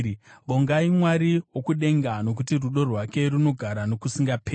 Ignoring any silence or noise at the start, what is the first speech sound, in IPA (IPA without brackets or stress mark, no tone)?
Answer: ʋ